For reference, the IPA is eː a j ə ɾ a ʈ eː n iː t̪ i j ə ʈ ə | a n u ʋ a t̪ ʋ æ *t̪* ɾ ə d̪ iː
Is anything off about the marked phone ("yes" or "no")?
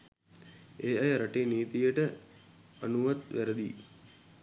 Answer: yes